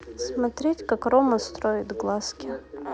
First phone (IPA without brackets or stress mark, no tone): s